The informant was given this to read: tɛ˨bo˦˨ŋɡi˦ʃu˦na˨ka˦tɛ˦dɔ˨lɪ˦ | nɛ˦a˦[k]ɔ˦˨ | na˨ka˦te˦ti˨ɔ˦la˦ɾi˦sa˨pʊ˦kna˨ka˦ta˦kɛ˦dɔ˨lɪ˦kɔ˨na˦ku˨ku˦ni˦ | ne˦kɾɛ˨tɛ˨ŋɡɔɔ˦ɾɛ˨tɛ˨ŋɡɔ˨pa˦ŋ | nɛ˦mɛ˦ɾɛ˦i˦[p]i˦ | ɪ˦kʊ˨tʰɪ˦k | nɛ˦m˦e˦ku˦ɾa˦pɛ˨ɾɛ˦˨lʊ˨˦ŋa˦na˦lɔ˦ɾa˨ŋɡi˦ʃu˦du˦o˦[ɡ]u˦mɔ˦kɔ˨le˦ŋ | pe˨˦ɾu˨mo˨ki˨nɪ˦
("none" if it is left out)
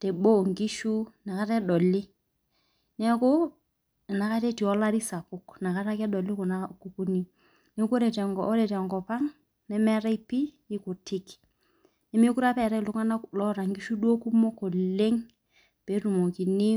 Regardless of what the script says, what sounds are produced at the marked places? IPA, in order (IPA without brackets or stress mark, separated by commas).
k, p, k